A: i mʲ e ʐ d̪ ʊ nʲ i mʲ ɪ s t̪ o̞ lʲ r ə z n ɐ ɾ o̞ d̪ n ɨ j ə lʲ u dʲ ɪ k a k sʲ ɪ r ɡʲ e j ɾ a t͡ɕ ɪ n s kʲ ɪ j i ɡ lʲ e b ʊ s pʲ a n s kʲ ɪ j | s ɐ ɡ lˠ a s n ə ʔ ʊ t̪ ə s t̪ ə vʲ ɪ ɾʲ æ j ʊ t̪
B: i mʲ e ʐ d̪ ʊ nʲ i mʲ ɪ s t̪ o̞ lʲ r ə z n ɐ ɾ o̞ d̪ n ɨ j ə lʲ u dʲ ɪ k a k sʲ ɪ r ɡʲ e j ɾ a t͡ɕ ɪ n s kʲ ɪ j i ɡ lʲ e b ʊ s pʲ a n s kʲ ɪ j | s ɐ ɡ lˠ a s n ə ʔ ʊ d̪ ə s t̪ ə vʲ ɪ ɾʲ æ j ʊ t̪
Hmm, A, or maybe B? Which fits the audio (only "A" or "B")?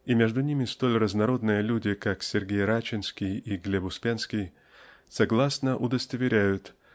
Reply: B